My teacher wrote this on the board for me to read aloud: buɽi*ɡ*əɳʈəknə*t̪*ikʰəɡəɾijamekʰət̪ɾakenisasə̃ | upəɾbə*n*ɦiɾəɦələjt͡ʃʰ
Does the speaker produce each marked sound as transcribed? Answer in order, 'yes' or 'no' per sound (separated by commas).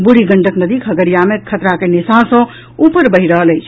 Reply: yes, no, no